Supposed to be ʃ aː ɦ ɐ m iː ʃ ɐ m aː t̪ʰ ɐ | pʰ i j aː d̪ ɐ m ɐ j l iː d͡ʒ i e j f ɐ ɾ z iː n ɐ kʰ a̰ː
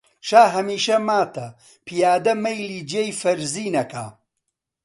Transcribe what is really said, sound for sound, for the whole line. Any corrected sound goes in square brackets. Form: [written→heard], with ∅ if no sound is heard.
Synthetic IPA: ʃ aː ɦ ɐ m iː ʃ ɐ m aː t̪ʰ ɐ | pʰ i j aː d̪ ɐ m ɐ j l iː d͡ʒ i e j f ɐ ɾ z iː n ɐ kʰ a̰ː